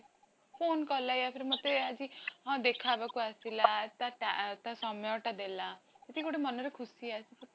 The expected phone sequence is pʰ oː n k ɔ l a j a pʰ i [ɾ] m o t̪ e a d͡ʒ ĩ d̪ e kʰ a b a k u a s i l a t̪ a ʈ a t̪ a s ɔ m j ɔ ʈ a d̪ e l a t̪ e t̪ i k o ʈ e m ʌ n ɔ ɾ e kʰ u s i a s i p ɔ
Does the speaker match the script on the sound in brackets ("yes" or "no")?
yes